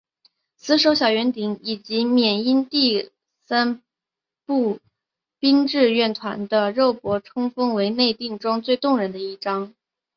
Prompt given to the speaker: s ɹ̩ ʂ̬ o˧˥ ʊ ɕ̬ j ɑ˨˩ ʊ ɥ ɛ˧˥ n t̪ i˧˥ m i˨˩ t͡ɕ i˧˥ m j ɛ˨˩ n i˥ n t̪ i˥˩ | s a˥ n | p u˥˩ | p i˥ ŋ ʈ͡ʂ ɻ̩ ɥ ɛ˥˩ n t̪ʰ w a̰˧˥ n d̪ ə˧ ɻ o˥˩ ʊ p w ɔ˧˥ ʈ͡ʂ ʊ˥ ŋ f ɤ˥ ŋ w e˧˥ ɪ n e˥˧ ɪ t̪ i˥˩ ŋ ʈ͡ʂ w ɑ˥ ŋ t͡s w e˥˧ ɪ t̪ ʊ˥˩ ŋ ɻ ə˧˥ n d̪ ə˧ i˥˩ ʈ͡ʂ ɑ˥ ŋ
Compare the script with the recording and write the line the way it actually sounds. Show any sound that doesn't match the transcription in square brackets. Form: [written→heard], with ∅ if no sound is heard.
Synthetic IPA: s ɹ̩ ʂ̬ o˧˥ ʊ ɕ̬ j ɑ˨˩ ʊ ɥ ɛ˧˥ n t̪ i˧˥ [m→ŋ] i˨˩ t͡ɕ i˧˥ m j ɛ˨˩ n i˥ n t̪ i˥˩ | s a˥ n | p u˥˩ | p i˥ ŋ ʈ͡ʂ ɻ̩ ɥ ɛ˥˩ n t̪ʰ w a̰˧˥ n d̪ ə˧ ɻ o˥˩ ʊ p w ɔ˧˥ [ʈ͡ʂ→ʈ͡ʂʰ] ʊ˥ ŋ f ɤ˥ ŋ w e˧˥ ɪ n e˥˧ ɪ t̪ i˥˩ ŋ ʈ͡ʂ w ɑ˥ ŋ t͡s w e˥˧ ɪ t̪ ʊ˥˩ ŋ ɻ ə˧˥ n d̪ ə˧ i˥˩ ʈ͡ʂ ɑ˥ ŋ